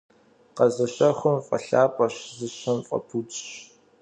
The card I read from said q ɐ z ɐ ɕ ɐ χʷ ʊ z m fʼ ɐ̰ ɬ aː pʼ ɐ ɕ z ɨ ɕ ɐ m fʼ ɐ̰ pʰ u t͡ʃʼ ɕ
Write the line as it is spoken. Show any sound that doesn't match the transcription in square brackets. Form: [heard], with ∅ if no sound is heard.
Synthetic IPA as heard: q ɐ z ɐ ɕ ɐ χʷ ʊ [∅] m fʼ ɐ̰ ɬ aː pʼ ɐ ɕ z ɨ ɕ ɐ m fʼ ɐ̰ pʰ u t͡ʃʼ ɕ